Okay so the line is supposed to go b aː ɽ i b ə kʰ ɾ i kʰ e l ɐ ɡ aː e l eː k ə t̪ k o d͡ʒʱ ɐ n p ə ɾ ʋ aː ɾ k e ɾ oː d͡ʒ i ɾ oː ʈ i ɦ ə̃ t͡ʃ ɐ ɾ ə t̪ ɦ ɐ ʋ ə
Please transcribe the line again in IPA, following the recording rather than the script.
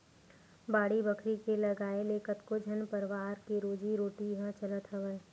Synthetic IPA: b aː ɽ i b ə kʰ ɾ i k e l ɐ ɡ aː e l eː k ə t̪ k o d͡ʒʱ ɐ n p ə ɾ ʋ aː ɾ k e ɾ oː d͡ʒ i ɾ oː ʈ i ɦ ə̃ t͡ʃ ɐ l ə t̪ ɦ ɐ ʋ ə